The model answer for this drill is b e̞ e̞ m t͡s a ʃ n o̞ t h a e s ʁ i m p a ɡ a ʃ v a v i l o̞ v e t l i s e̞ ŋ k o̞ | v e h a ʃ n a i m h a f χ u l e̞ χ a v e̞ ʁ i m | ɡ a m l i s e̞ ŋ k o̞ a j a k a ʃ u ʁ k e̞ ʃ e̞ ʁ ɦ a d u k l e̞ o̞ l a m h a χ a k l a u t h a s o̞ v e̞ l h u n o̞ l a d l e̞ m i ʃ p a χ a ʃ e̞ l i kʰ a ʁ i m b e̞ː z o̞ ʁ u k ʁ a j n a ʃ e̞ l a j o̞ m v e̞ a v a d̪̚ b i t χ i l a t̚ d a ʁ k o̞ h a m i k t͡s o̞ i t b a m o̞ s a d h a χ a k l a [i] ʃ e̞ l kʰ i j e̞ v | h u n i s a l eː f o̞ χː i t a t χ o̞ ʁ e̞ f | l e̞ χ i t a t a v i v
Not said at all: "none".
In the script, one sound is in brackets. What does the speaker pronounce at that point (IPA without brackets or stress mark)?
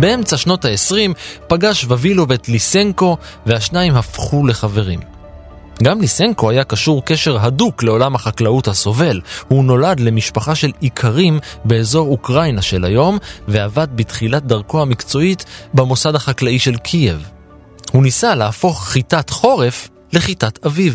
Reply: i